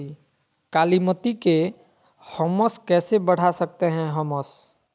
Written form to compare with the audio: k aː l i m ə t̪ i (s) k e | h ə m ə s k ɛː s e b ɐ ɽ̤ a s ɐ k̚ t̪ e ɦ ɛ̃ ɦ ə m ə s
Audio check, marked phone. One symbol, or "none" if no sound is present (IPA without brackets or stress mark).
none